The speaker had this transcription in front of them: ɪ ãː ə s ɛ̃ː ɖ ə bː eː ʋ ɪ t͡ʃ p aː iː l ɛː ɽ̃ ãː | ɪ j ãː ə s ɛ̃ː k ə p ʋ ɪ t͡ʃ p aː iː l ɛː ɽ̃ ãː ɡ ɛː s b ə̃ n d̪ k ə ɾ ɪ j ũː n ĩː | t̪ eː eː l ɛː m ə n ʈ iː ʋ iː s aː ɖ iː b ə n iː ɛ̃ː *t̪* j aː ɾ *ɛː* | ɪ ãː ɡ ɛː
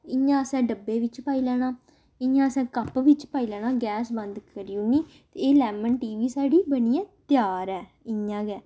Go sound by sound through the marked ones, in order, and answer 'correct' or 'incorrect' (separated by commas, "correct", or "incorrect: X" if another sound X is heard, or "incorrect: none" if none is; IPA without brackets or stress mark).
correct, correct